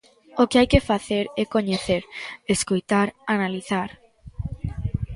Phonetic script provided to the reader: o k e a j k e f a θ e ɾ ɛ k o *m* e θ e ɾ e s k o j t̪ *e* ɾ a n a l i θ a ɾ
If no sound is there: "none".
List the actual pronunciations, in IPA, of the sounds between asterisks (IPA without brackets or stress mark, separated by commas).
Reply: ɲ, a